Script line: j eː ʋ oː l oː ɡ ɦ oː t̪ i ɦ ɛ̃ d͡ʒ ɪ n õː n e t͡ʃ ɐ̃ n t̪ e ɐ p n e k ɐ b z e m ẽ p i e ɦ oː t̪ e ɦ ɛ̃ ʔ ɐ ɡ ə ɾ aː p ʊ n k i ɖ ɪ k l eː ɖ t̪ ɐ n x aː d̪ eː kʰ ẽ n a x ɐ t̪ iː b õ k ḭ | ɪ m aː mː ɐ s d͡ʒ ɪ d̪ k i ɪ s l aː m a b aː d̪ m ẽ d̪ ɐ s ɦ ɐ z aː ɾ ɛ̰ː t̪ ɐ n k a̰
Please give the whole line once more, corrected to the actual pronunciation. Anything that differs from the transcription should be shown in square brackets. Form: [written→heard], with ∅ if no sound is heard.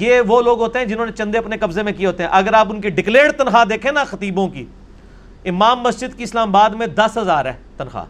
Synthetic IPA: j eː ʋ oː l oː ɡ ɦ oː t̪ [i→e] ɦ ɛ̃ d͡ʒ ɪ n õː n e t͡ʃ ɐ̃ n [t̪→d̪] e ɐ p n e k ɐ b z e m ẽ [p→k] i e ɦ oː t̪ e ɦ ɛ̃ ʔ ɐ ɡ ə ɾ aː p ʊ n k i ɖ ɪ k l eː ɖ t̪ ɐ n x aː d̪ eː kʰ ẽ n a x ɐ t̪ iː b õ k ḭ | ɪ m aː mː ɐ s d͡ʒ ɪ d̪ k i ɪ s l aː m a b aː d̪ m ẽ d̪ ɐ s ɦ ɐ z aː ɾ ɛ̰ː t̪ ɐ n [k→x] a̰